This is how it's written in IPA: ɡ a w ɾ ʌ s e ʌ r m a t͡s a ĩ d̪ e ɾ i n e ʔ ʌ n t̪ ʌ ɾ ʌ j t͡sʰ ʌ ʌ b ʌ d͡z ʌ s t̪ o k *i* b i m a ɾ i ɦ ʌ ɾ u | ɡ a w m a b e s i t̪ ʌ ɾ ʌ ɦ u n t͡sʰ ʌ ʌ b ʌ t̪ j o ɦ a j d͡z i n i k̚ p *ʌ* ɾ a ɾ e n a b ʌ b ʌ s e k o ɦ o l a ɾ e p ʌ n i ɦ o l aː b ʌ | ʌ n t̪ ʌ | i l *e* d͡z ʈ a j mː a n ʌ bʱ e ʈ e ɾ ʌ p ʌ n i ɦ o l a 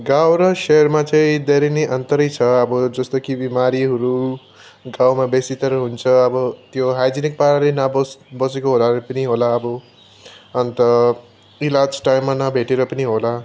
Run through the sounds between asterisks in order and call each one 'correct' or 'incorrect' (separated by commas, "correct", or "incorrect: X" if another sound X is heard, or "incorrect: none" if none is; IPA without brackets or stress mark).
correct, incorrect: a, incorrect: a